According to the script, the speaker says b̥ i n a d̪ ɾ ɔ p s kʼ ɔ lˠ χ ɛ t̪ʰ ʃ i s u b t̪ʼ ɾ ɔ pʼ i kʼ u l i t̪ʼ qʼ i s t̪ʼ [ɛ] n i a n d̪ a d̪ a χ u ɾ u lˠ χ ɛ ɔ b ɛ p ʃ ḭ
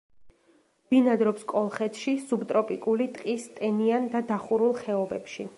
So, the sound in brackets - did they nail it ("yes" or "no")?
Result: yes